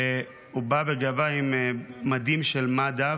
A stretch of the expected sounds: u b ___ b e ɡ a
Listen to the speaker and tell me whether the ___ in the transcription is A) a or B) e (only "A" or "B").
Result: A